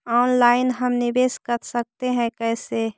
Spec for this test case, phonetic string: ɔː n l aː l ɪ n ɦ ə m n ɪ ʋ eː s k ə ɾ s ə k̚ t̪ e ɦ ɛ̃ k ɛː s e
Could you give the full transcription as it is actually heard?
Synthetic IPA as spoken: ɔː n l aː ɪ n ɦ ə m n ɪ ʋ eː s k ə ɾ s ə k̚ t̪ e ɦ ɛ̃ k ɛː s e